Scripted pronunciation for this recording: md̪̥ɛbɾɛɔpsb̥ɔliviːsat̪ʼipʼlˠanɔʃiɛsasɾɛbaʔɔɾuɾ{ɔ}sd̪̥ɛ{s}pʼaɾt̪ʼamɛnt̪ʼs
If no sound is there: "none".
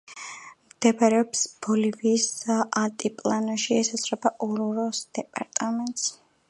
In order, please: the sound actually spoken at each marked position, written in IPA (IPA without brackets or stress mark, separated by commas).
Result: ɔ, none